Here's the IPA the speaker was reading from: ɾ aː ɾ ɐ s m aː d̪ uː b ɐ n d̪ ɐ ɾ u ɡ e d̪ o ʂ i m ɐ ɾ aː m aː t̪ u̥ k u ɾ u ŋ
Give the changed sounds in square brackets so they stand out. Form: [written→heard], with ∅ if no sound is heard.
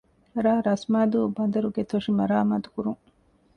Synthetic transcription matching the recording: ɾ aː ɾ ɐ s m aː d̪ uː b ɐ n d̪ ɐ ɾ u ɡ e [d̪→t̪] o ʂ i m ɐ ɾ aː m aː t̪ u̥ k u ɾ u ŋ